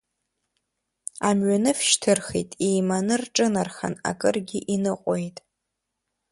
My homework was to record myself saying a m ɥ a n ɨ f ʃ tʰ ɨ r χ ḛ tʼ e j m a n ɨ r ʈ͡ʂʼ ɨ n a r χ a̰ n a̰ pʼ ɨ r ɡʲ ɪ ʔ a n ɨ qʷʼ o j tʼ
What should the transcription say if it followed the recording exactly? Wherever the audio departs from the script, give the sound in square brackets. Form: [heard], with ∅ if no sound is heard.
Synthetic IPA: a m ɥ a n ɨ f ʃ tʰ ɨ r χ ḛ tʼ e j m a n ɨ r ʈ͡ʂʼ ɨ n a r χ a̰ n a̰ [kʼ] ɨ r ɡʲ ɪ ʔ [i] n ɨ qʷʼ o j tʼ